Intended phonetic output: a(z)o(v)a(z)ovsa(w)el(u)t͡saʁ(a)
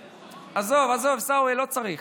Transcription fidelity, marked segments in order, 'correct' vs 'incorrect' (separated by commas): correct, correct, correct, correct, incorrect, incorrect